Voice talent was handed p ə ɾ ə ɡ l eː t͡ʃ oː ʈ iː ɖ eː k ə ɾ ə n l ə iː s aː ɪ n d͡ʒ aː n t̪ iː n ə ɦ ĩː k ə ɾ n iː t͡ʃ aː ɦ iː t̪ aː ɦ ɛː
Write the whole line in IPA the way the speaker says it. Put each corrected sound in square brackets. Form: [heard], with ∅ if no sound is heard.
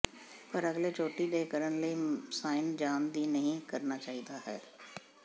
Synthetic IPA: p ə ɾ ə ɡ l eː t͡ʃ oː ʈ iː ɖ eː k ə ɾ ə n l ə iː s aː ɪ n d͡ʒ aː n [d̪] iː n ə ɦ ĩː k ə ɾ n [aː] t͡ʃ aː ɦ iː [d̪] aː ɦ ɛː